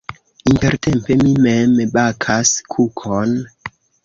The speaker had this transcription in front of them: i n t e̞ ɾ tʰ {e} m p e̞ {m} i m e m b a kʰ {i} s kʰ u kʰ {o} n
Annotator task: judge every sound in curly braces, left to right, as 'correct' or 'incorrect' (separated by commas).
correct, correct, incorrect, correct